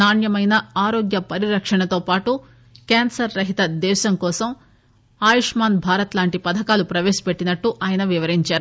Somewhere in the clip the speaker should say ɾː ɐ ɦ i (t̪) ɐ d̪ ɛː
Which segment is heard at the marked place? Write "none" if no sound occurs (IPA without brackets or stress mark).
t̪